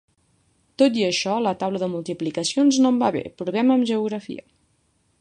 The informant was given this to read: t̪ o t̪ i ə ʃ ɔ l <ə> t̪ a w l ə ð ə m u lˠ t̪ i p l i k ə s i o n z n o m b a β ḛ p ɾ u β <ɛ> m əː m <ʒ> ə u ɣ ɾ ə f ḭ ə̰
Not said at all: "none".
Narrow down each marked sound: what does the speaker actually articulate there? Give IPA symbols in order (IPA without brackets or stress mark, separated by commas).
ə, ɛ, ʒ